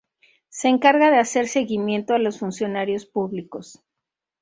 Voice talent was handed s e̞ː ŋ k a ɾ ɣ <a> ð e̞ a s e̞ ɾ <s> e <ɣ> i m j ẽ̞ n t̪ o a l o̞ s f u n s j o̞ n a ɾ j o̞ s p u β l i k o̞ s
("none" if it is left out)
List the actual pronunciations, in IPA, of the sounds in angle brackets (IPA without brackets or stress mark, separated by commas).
a, s, ɣ